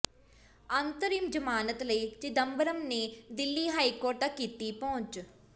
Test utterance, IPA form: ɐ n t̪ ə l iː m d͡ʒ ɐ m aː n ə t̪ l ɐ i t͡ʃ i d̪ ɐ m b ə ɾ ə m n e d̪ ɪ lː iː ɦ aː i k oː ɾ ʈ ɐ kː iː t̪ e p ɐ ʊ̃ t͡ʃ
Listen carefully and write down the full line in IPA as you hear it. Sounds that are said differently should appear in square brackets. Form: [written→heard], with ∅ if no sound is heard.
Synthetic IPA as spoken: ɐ n t̪ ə [l→ɾ] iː m d͡ʒ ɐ m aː n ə t̪ l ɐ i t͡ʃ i d̪ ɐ m b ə ɾ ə m n e d̪ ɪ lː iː ɦ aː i k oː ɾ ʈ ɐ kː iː t̪ [e→i] p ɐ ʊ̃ t͡ʃ